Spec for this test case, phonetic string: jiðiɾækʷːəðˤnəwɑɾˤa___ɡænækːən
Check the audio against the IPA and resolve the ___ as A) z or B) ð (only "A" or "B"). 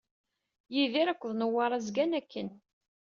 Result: A